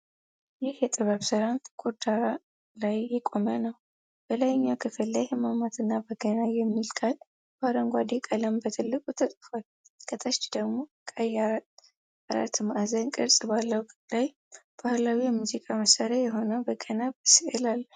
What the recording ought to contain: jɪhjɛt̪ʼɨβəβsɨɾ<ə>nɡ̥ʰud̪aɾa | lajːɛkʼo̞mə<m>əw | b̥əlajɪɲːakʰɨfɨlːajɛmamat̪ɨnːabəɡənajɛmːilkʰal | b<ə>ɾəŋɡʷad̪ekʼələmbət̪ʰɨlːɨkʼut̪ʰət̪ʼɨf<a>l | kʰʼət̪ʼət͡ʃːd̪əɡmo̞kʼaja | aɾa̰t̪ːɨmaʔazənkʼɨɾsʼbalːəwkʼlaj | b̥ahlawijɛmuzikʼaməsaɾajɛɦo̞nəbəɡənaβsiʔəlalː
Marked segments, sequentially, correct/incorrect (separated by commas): incorrect, incorrect, incorrect, correct